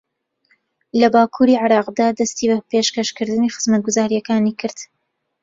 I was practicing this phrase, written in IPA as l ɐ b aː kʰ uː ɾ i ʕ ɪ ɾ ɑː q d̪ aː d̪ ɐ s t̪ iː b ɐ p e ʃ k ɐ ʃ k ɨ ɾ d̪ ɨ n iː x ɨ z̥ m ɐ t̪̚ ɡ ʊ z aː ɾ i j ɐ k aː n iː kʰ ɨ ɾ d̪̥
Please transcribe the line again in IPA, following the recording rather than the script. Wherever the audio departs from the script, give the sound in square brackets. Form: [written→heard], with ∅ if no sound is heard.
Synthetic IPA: l ɐ b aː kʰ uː ɾ i ʕ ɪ ɾ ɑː q d̪ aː d̪ ɐ s t̪ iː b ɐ p e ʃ k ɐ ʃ k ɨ ɾ d̪ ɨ n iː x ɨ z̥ m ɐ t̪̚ ɡ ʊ z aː ɾ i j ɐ k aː n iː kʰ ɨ ɾ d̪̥